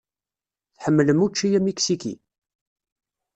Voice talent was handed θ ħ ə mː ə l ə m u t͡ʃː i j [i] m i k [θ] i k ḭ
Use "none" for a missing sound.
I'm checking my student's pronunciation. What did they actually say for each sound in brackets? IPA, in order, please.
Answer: æ, s

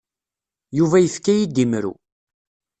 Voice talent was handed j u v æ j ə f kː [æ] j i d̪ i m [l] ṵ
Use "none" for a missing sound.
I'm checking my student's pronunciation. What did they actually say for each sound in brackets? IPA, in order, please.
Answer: æ, ɾ

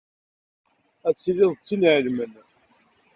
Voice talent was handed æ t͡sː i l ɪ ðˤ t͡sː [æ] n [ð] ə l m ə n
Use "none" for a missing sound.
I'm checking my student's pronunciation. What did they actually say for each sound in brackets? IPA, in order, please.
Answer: i, ʕ

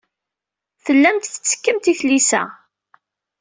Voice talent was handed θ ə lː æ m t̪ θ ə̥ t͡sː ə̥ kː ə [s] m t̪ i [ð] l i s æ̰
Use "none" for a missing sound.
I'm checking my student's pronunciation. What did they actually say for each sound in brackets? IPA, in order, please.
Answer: none, θ

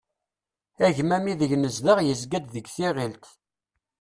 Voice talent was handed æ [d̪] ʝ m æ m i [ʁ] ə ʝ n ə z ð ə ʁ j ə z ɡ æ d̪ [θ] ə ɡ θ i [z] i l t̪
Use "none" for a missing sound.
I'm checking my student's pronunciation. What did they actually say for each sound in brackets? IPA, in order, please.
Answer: none, ð, ð, ʁ

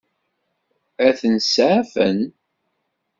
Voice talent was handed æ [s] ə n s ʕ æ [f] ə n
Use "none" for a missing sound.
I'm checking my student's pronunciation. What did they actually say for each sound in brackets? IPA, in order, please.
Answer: θ, f

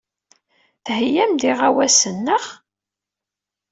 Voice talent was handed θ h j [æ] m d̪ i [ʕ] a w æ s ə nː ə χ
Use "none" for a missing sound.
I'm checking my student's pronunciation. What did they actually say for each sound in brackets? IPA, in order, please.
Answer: æ, ʁ

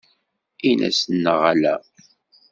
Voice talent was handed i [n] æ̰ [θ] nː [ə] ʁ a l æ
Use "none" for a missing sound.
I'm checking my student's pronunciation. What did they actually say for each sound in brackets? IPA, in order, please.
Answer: n, s, ə

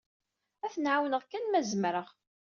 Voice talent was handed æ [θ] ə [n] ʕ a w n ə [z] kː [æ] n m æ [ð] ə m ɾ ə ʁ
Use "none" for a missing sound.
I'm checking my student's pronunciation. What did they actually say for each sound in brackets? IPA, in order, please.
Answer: θ, n, ʁ, æ, z

